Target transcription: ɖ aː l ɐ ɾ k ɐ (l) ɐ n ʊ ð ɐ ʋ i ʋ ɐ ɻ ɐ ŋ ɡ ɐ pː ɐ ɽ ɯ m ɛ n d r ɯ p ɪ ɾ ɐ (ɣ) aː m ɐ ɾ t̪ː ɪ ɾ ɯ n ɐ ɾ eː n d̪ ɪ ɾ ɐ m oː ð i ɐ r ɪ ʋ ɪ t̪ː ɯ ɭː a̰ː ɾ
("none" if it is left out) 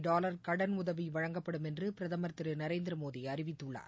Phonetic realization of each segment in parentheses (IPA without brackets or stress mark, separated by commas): ɽ, ð